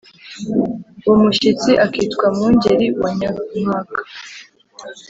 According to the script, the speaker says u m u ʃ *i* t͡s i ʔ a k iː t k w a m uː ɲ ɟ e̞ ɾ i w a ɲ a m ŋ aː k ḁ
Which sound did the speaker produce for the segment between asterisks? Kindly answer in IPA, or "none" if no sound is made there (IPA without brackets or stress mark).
i